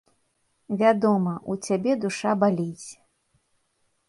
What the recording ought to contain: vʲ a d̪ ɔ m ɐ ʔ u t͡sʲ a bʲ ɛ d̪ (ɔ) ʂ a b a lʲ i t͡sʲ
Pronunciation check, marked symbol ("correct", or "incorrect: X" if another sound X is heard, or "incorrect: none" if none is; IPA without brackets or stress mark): incorrect: u